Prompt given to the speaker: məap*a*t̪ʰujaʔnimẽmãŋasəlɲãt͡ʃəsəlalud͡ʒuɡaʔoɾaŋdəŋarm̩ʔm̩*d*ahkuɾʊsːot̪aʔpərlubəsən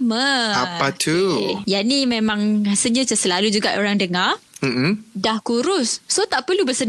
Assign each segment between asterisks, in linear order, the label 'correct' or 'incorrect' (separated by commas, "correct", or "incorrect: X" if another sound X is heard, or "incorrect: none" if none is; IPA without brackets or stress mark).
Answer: correct, correct